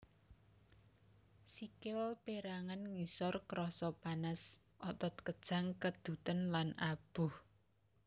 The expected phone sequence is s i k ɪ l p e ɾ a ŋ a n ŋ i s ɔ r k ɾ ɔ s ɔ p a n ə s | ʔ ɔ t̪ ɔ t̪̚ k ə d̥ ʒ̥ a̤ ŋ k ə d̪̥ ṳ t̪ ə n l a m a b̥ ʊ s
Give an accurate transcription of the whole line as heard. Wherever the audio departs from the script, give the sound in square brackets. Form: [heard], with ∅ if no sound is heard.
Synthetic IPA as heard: s i k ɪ l p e ɾ a ŋ a n ŋ i s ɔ r k ɾ ɔ s ɔ p a n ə s | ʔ ɔ t̪ ɔ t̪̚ k ə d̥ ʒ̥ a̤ ŋ k ə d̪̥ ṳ t̪ ə n l a [n] a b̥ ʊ [h]

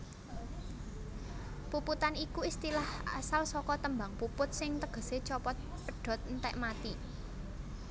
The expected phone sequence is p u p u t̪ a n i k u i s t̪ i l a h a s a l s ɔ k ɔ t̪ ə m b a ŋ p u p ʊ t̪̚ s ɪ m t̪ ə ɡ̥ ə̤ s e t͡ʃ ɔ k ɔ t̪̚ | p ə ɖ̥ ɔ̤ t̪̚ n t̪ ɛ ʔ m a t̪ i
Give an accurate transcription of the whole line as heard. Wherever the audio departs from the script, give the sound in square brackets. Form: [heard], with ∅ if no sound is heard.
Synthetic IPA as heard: p u p u t̪ a n i k u i s t̪ i l a h a s a l s ɔ k ɔ t̪ ə m b a ŋ p u p ʊ t̪̚ s ɪ [ŋ] t̪ ə ɡ̥ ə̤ s e t͡ʃ ɔ [p] ɔ t̪̚ | p ə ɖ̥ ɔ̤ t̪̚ n t̪ ɛ ʔ m a t̪ i

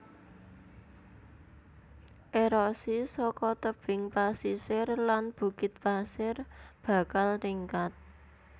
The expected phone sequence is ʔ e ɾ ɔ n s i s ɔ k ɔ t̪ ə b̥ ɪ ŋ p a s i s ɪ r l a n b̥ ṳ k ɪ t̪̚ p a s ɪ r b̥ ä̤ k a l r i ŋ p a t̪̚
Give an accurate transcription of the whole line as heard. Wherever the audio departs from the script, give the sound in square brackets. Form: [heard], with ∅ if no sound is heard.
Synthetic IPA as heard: ʔ e ɾ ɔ [∅] s i s ɔ k ɔ t̪ ə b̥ ɪ ŋ p a s i s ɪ r l a n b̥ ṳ k ɪ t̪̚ p a s ɪ r b̥ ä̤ k a l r i ŋ [k] a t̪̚

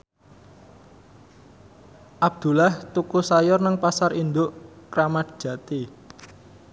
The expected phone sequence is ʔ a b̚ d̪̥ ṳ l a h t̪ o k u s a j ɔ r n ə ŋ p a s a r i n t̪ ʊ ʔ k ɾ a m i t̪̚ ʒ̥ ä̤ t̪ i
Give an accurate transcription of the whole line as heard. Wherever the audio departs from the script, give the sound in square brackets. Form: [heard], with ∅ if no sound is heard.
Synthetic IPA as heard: ʔ a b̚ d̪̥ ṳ l a h t̪ [u] k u s a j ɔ r n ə ŋ p a s a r i n [d̪] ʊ ʔ k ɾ a m [a] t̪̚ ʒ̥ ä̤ t̪ i

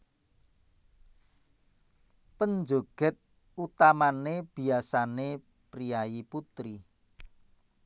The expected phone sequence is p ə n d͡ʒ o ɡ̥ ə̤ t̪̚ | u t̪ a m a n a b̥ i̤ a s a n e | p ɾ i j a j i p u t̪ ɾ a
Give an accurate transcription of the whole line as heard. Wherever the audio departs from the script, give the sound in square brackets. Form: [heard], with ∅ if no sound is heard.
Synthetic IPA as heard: p ə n d͡ʒ o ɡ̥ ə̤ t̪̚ | u t̪ a m a n [e] b̥ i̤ a s a n e | p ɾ i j a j i p u t̪ ɾ [i]

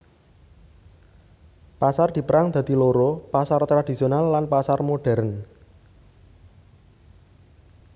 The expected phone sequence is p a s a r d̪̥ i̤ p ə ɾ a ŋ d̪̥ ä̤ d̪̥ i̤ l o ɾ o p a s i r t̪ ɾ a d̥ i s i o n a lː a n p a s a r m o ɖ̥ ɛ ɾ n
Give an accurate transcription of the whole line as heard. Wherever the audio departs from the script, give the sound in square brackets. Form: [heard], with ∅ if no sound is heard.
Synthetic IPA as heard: p a s a r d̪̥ i̤ p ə ɾ a ŋ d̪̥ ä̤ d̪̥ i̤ l o ɾ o p a s [a] r t̪ ɾ a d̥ i s i o n a lː a n p a s a r m o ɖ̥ ɛ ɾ n

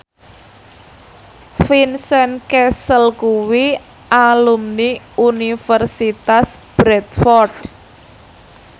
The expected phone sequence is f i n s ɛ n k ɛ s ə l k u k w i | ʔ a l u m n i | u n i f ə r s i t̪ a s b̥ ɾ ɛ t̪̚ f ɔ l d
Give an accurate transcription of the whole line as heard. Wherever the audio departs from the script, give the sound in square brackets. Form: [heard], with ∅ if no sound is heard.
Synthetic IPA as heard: f i n s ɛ n k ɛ s ə l k u [∅] w i | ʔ a l u m n i | u n i f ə r s i t̪ a s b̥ ɾ ɛ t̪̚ f ɔ [r] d

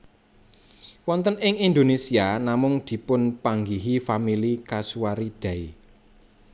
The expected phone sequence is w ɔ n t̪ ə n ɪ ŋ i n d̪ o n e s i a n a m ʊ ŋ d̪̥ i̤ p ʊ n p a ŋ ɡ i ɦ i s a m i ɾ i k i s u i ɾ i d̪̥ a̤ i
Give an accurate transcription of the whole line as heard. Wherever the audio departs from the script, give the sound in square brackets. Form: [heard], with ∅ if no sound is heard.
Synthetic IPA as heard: w ɔ n t̪ ə n ɪ ŋ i n d̪ o n e s i a n a m ʊ ŋ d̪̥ i̤ p ʊ n p a ŋ ɡ i ɦ i [f] a m i [l] i k [a] s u [a] ɾ i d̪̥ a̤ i

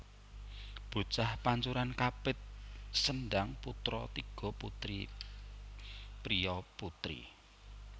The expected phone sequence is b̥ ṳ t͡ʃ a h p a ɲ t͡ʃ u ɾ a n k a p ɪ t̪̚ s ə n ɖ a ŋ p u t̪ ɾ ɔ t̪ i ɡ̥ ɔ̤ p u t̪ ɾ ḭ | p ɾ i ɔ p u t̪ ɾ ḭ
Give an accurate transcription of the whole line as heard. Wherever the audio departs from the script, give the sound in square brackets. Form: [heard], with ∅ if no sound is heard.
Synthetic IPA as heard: b̥ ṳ t͡ʃ a h p a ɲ t͡ʃ u ɾ a n k a p ɪ t̪̚ s ə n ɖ a ŋ p u t̪ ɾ ɔ t̪ i ɡ̥ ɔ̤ p u t̪ ɾ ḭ | p ɾ i ɔ p u t̪ ɾ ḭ

